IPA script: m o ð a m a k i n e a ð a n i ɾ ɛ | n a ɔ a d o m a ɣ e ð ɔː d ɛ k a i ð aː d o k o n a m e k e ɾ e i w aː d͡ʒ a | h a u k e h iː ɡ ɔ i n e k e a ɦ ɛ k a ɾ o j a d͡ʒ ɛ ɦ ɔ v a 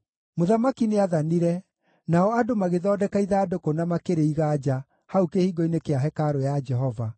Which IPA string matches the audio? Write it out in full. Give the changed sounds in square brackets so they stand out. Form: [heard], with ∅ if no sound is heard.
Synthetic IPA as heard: m o ð a m a k i n e a ð a n i ɾ ɛ | n a ɔ a d o m a ɣ e ð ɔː d ɛ k a i ð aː d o k o n a m [a] k e ɾ e i [ɣ] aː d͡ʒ a | h a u k e h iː ɡ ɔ i n e k e a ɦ ɛ k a ɾ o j a d͡ʒ ɛ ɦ ɔ v a